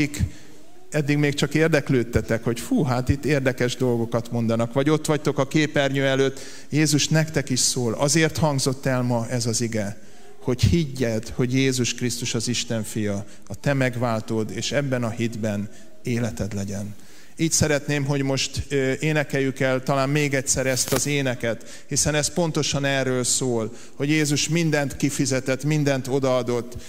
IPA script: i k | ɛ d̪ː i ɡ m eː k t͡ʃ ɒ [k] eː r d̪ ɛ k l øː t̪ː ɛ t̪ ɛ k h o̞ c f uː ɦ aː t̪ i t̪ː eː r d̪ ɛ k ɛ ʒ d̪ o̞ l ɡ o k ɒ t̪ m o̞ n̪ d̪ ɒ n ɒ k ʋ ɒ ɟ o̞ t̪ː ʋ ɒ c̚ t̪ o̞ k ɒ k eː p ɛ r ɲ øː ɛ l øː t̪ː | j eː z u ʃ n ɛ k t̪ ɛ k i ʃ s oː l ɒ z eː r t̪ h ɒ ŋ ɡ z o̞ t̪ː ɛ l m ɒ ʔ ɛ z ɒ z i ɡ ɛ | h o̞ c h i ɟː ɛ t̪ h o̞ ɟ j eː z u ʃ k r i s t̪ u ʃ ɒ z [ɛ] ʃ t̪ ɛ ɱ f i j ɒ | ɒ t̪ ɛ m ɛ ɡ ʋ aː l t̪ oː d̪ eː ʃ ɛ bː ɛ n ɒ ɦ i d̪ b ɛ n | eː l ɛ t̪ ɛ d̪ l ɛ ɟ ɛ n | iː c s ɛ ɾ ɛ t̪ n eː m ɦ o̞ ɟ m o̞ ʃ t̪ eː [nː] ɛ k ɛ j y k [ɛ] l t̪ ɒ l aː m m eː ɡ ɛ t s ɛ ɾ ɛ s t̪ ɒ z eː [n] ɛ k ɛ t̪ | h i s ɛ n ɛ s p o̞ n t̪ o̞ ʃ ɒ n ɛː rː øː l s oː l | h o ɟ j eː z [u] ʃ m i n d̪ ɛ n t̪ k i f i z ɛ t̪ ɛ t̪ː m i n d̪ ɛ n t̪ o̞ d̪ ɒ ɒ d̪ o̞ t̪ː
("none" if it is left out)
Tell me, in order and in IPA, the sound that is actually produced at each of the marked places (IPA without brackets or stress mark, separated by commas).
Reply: k, i, n, ɛ, n, u